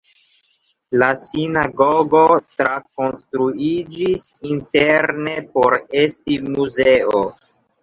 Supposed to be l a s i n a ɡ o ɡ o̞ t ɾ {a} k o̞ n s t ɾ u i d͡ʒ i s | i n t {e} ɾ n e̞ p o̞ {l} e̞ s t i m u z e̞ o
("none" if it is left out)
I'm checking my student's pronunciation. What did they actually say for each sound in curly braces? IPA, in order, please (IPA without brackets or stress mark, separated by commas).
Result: a, e, ɾ